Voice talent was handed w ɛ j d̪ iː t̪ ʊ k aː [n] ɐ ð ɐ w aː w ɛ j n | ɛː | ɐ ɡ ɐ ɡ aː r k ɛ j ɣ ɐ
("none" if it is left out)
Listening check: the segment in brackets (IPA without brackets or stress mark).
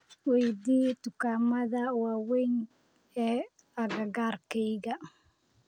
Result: m